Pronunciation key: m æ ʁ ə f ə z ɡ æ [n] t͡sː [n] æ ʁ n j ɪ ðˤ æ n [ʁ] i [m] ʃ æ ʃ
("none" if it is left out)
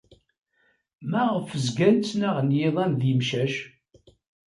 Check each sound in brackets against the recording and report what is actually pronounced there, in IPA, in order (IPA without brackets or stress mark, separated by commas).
n, n, ð, m